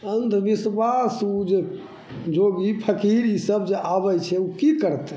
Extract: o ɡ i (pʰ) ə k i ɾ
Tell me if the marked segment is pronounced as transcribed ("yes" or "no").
yes